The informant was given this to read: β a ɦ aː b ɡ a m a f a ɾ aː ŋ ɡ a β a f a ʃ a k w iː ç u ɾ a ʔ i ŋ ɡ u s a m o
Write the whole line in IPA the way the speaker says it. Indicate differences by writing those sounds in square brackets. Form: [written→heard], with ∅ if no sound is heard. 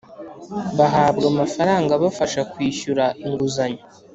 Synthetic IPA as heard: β a ɦ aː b ɡ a m a f a ɾ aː ŋ ɡ a β a f a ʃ a k w iː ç u ɾ a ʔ i ŋ ɡ u [s→z] a [m→ɲ] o